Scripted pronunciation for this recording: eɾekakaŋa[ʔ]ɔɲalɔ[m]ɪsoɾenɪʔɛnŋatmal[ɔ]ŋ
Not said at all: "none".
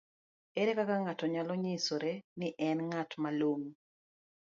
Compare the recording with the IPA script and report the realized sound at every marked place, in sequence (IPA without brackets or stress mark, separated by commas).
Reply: t, ɲ, o